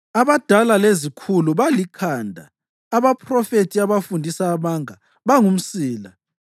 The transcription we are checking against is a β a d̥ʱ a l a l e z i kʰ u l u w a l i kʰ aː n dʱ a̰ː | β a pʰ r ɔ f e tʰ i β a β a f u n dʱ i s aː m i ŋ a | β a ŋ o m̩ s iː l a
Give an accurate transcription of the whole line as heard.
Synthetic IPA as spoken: a β a d̥ʱ a l a l e z i kʰ u l u β a l i kʰ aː n dʱ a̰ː | β a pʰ r ɔ f e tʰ i a β a f u n dʱ i s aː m a ŋ a | β a ŋ u m̩ s iː l a